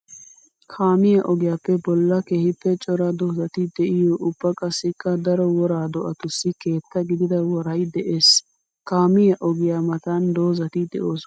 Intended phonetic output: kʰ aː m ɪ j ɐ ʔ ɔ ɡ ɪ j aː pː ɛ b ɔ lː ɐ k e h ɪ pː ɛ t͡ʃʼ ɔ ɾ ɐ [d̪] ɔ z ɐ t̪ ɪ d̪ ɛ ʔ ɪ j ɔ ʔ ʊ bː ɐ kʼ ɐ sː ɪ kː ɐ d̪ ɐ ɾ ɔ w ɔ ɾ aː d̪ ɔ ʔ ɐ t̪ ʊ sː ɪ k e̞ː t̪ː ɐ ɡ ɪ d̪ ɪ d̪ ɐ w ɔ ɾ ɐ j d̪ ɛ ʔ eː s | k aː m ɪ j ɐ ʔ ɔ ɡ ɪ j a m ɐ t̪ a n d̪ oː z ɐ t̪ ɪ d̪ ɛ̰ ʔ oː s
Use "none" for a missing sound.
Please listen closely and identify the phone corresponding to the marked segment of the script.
d̪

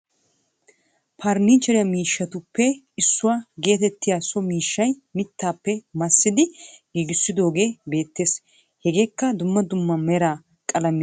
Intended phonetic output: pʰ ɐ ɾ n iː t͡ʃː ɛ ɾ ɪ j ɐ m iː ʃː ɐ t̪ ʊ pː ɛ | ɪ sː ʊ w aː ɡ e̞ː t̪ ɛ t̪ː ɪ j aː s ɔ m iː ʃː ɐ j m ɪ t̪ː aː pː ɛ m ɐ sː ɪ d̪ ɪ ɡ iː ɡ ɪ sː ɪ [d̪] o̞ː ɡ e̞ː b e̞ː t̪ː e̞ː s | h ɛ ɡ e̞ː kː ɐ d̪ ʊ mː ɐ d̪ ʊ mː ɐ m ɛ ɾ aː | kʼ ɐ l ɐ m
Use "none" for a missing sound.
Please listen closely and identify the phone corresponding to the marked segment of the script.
d̪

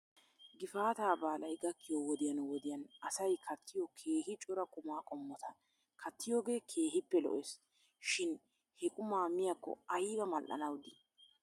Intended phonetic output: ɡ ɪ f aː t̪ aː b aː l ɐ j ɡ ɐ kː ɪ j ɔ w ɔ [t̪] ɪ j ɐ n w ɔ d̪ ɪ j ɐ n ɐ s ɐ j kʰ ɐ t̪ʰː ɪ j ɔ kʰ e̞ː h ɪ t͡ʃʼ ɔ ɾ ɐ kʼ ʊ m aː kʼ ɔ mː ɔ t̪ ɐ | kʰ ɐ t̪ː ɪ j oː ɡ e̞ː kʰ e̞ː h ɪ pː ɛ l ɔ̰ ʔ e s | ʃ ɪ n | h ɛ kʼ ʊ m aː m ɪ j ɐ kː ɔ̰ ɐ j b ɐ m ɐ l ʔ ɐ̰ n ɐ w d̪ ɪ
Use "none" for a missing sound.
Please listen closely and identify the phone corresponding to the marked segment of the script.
d̪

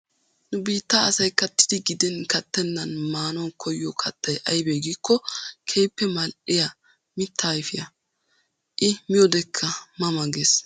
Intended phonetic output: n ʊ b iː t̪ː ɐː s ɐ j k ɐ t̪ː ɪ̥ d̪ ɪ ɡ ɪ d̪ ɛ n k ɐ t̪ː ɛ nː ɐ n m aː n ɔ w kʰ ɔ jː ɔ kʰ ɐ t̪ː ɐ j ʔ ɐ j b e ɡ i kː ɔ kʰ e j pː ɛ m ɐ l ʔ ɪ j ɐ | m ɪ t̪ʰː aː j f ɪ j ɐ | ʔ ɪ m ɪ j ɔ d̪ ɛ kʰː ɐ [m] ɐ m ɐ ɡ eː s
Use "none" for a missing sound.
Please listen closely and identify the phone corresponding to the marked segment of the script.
m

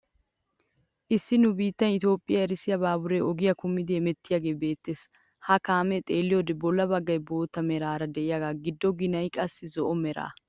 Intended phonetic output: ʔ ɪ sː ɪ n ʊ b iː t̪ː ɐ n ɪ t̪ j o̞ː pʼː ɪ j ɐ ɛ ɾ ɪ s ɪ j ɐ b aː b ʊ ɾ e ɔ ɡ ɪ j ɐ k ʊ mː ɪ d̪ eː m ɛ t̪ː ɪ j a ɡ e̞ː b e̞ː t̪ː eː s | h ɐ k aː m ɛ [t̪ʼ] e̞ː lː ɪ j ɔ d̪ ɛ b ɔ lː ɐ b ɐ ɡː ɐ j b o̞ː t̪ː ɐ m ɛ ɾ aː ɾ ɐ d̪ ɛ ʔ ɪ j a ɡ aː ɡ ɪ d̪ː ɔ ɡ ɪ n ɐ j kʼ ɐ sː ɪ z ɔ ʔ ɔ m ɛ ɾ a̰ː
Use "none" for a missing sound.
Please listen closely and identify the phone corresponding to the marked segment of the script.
t̪ʼ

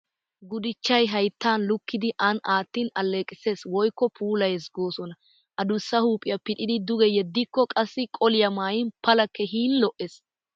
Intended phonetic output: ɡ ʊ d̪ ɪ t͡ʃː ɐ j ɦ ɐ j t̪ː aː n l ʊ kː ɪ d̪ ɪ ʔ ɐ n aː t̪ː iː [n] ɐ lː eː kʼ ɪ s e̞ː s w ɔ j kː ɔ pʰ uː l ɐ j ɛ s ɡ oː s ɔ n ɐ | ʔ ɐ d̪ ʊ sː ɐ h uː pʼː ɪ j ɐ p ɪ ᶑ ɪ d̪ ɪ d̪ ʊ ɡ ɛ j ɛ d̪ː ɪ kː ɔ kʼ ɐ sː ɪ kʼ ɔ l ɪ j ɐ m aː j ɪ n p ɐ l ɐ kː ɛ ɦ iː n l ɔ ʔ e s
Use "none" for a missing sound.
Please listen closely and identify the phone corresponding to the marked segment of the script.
n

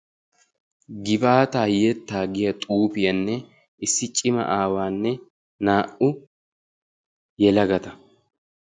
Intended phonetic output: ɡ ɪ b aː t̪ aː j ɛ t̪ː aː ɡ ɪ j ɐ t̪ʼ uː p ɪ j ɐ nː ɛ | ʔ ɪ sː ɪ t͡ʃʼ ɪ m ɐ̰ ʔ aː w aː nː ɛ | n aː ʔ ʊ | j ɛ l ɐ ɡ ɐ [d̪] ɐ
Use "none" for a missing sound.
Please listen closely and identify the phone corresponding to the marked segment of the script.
t̪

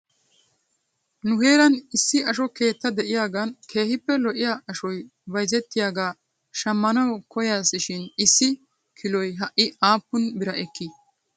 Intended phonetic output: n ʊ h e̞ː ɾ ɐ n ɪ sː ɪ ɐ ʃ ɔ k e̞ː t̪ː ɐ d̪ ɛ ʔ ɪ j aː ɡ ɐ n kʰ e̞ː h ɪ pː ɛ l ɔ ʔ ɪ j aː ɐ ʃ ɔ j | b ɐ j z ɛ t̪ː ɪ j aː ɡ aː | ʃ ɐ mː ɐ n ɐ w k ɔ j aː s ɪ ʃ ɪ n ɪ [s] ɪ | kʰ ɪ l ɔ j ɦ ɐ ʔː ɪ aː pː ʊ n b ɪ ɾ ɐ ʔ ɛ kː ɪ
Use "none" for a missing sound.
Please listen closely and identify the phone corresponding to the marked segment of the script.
sː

